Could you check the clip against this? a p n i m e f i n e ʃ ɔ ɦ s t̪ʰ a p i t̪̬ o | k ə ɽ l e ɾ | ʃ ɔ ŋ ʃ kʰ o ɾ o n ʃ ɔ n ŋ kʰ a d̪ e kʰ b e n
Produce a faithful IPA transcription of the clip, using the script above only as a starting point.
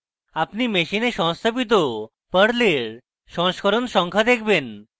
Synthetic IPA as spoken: a p n i m e ʃ i n e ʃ ɔ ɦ s t̪ʰ a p i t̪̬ o | p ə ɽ l e ɾ | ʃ ɔ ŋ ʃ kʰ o ɾ o n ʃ ɔ ŋ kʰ a d̪ e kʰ b e n